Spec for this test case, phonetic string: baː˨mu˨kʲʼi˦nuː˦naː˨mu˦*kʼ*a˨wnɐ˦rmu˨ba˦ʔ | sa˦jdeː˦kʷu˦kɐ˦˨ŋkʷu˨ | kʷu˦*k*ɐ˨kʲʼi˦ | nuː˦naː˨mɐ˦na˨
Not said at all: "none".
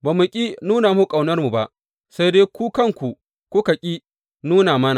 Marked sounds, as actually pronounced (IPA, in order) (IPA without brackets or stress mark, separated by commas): kʼ, k